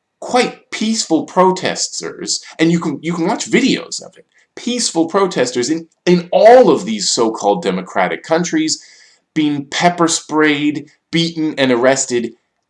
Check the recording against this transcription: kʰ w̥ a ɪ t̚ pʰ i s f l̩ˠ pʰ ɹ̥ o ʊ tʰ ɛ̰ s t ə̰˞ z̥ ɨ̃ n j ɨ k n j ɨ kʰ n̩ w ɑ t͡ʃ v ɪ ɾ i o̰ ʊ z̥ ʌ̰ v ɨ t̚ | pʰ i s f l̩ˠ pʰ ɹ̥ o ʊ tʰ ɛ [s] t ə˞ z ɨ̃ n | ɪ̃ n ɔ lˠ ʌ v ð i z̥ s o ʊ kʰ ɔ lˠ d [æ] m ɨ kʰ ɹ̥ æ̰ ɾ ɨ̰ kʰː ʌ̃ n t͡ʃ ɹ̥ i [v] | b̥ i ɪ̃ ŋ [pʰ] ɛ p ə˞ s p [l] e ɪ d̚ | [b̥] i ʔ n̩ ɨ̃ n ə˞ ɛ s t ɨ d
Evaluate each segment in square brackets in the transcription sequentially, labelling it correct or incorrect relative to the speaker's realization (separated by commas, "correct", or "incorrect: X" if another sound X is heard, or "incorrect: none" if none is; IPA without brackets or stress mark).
correct, incorrect: ɛ, incorrect: z, correct, incorrect: ɹ, correct